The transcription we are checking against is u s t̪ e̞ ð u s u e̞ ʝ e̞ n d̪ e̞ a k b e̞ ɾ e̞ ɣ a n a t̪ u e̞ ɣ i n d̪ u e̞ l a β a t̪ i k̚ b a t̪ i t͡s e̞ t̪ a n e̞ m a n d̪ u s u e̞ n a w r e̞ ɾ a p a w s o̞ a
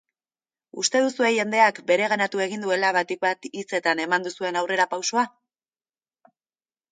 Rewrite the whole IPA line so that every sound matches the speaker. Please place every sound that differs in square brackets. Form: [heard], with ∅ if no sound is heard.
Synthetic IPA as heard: u s t̪ e̞ ð u s u e̞ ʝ e̞ n d̪ e̞ a k b e̞ ɾ e̞ ɣ a n a t̪ u e̞ ɣ i n d̪ u e̞ l a β a t̪ i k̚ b a t̪ i t͡s e̞ t̪ a n e̞ m a n d̪ u s u e̞ n a w r e̞ ɾ a p a w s o̞ a